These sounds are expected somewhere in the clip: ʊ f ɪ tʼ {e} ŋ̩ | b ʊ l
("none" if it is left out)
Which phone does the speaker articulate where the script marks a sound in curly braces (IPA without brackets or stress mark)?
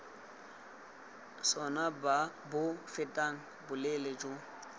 a